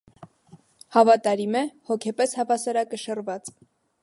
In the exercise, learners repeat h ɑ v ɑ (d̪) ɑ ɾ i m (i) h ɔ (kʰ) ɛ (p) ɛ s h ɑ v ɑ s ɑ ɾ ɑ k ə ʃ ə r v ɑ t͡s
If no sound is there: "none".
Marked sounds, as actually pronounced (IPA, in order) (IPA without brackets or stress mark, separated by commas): t̪, ɛ, kʰ, p